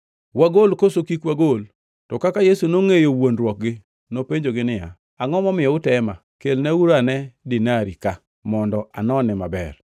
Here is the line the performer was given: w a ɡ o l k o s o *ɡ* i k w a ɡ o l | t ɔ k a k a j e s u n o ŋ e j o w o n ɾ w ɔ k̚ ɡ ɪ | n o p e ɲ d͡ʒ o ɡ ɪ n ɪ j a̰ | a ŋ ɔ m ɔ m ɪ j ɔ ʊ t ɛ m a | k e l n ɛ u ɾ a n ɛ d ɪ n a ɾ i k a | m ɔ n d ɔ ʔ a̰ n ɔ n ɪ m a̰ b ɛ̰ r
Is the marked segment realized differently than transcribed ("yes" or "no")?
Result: yes